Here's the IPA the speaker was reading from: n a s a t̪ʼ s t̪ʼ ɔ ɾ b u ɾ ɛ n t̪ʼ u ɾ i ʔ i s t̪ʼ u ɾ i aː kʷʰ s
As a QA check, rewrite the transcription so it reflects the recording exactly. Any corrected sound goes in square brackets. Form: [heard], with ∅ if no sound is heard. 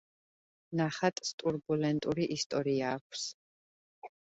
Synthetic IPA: n a [χ] a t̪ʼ s t̪ʼ [u] ɾ b u [l] ɛ n t̪ʼ u ɾ i ʔ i s t̪ʼ [ɔ] ɾ i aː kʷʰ s